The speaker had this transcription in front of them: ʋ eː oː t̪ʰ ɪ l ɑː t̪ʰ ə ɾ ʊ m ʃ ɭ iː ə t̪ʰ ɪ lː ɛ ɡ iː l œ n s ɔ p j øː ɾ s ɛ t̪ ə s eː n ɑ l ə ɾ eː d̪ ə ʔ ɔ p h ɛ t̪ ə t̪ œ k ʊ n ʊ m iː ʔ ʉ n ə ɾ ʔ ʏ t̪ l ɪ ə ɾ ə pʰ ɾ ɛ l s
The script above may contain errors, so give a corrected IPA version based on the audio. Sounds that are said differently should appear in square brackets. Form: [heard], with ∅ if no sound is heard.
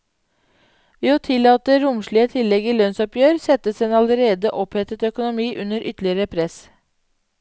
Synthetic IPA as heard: ʋ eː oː t̪ʰ ɪ l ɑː [t̪] ə ɾ ʊ m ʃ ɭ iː ə t̪ʰ ɪ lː ɛ ɡ iː l œ n s ɔ p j øː ɾ s ɛ t̪ ə s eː n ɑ l ə ɾ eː d̪ ə ʔ ɔ p h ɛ t̪ ə t̪ œ k ʊ n ʊ m iː ʔ ʉ n ə ɾ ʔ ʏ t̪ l ɪ ə ɾ ə pʰ ɾ ɛ [∅] s